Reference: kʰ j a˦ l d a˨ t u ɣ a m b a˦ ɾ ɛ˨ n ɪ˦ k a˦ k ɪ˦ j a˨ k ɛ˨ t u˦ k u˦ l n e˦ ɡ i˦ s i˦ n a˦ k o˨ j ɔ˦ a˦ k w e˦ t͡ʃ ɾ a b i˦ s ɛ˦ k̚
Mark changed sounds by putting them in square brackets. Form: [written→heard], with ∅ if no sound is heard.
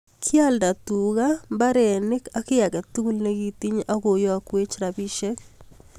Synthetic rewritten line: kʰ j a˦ l d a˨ t u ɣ a m b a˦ ɾ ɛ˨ n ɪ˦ k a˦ k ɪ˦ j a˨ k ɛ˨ t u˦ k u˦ l n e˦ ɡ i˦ [s→t] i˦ [n→ɲ] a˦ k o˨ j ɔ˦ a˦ k w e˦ t͡ʃ ɾ a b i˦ [s→ʃ] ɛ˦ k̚